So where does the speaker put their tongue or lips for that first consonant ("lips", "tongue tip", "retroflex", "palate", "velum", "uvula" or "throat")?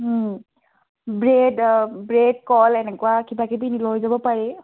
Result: lips